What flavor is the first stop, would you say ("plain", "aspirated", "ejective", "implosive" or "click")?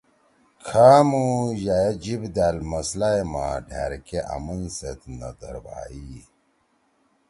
aspirated